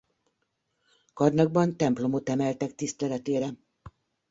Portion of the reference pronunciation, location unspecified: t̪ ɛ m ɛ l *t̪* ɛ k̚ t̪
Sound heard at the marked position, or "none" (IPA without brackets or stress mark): t̪